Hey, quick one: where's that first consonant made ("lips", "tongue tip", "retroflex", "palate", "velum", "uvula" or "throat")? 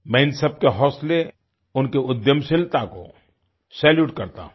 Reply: lips